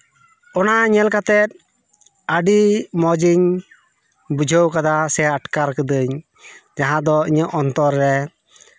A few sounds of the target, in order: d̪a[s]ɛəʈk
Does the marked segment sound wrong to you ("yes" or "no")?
no